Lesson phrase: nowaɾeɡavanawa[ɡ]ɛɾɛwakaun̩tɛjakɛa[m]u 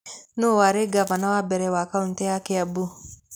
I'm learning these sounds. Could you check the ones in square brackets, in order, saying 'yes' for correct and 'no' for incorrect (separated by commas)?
no, no